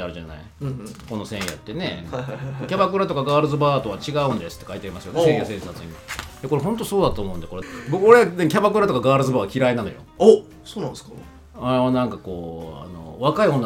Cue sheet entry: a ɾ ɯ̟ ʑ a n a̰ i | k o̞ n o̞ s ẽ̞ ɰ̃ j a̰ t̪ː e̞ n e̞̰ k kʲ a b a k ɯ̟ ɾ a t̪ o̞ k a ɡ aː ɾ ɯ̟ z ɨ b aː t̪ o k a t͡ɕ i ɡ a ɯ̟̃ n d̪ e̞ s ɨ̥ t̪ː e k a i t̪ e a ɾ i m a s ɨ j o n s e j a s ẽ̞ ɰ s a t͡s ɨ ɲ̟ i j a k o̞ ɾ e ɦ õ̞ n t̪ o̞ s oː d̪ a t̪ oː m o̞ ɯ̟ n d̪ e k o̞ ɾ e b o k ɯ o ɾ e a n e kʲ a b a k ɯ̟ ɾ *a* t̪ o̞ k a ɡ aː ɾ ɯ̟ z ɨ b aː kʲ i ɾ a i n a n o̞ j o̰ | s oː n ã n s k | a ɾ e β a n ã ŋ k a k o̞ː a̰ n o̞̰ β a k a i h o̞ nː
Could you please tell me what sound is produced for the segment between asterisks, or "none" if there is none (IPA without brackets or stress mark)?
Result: a